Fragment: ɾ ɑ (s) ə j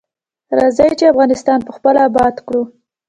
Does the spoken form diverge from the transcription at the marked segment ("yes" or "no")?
yes